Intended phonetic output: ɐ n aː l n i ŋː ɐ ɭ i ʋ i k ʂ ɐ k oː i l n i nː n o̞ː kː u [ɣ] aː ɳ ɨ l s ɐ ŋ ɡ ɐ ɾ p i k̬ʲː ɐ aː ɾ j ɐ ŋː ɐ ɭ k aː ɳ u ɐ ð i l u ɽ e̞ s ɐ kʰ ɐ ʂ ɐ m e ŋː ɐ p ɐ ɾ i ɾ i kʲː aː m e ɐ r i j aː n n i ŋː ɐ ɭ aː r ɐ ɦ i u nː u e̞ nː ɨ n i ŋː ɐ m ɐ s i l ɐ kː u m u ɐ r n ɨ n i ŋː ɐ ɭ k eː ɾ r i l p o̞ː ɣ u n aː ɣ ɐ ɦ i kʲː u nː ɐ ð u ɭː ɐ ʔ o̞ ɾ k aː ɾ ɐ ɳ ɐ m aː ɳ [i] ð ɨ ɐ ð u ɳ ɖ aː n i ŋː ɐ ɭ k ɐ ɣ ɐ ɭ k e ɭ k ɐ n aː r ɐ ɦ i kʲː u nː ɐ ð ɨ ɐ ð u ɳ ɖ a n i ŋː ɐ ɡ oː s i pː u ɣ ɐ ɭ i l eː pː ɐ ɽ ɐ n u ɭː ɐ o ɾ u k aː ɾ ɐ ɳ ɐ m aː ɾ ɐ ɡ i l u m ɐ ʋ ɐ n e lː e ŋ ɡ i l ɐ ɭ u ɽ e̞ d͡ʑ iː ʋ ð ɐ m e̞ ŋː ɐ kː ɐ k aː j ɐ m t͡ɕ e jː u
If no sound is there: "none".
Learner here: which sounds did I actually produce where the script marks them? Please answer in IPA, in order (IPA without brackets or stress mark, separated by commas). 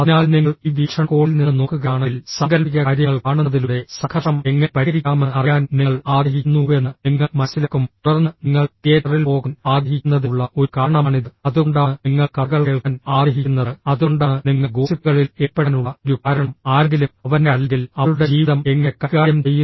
ɣ, i